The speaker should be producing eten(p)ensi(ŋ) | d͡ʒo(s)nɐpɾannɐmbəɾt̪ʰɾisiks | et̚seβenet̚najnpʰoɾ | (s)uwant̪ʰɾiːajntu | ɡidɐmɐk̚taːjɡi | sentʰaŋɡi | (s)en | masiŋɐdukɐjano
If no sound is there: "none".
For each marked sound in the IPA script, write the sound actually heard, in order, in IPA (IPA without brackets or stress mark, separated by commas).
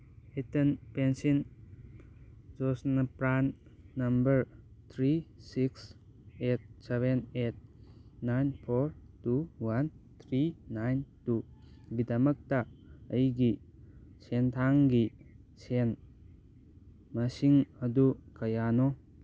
p, n, s, t, s